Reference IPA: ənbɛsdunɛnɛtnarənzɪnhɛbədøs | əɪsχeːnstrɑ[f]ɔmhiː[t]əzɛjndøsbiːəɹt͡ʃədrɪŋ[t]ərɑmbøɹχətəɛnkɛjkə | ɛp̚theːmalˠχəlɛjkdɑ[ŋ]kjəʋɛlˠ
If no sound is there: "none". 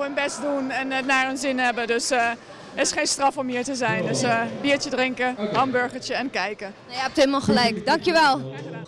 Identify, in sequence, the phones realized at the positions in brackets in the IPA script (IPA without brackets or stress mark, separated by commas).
f, t, k, ŋ